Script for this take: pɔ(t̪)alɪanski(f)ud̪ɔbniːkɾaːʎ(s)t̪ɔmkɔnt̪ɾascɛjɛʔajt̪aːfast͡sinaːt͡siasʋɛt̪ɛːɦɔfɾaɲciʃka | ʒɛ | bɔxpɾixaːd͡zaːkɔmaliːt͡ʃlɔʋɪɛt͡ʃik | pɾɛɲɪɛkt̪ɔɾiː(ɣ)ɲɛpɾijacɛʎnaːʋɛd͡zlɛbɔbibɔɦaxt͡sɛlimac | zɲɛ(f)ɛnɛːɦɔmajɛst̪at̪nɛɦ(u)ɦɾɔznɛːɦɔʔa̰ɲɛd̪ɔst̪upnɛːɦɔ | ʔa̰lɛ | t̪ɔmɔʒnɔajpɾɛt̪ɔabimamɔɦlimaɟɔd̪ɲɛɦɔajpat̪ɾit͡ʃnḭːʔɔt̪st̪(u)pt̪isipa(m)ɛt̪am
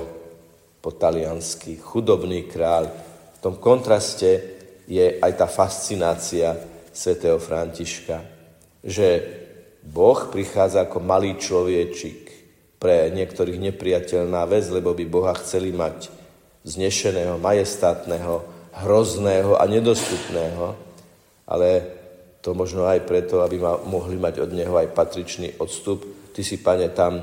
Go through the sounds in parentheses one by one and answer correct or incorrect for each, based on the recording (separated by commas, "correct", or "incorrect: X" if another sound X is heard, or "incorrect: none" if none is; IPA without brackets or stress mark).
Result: correct, incorrect: x, incorrect: f, correct, incorrect: ʃ, incorrect: ɔ, correct, incorrect: ɲ